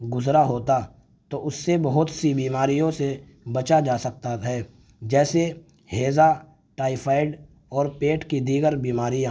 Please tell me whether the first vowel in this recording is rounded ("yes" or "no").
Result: yes